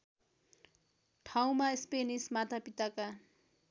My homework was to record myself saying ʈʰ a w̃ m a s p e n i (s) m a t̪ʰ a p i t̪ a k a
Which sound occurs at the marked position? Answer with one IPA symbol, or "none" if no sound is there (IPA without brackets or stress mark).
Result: s